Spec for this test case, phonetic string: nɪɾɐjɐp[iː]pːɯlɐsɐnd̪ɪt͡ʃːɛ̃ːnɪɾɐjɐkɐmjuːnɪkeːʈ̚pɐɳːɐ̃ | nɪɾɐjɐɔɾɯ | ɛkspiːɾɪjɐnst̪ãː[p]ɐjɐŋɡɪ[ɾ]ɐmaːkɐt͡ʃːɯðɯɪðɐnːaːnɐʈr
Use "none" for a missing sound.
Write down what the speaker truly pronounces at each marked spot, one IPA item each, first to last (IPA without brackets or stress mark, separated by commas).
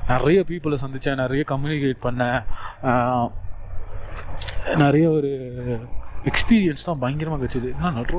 iː, b, ɾ